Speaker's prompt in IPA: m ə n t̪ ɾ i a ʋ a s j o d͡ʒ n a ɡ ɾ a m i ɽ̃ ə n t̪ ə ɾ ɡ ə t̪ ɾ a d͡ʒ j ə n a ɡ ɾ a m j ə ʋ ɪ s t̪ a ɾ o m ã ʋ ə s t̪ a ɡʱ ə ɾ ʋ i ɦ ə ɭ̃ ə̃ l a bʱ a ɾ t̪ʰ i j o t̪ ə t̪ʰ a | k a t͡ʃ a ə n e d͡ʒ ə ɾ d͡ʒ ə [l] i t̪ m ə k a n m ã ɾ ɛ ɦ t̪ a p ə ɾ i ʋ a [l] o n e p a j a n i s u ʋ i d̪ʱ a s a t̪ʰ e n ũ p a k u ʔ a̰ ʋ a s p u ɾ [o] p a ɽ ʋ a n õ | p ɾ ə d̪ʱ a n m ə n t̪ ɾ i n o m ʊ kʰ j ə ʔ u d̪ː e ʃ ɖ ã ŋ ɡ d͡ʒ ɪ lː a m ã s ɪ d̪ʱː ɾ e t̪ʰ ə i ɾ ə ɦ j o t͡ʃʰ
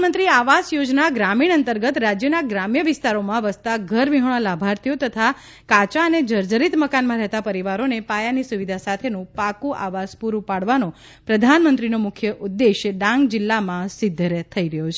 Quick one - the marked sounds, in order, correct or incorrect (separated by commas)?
incorrect, incorrect, incorrect